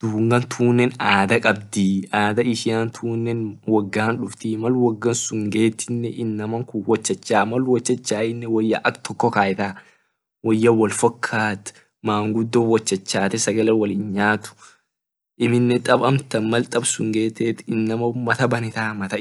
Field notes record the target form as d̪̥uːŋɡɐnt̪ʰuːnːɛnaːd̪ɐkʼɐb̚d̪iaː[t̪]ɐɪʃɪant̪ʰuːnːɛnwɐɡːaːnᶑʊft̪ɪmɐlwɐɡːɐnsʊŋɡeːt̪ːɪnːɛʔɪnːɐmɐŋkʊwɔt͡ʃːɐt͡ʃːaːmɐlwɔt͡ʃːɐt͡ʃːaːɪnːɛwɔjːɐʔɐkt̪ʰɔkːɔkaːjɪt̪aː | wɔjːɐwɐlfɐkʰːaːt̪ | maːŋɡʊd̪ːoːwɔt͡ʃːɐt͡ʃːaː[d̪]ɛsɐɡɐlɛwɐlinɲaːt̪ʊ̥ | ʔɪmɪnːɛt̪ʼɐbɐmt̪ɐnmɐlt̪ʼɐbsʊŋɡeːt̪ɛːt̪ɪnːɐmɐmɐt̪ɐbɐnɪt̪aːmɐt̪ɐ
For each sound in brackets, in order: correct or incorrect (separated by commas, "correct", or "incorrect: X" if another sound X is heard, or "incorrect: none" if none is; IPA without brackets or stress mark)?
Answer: incorrect: d̪, incorrect: t̪